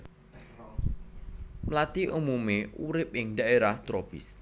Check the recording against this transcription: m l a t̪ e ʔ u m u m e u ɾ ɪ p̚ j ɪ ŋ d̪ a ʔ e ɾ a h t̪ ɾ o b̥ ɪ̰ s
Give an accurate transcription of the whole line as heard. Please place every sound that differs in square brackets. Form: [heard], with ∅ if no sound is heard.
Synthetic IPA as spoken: m l a t̪ [i] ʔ u m u m e u ɾ ɪ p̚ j ɪ ŋ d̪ a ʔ e ɾ a h t̪ ɾ o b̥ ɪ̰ s